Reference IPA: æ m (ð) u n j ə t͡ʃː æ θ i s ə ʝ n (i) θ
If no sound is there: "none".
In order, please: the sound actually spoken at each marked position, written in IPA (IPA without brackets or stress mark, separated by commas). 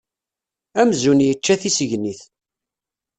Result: z, i